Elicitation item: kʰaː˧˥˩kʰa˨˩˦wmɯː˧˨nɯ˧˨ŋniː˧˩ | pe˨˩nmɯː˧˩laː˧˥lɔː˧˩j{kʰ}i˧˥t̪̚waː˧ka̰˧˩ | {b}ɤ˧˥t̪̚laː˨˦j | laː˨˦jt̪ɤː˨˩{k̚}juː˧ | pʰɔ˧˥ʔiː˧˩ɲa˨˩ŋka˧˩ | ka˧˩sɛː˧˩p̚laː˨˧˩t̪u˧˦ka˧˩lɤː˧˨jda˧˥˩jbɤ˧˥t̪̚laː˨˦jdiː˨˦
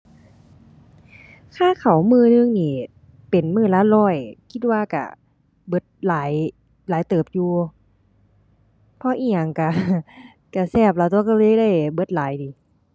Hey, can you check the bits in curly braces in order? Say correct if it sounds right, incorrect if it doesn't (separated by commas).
correct, correct, incorrect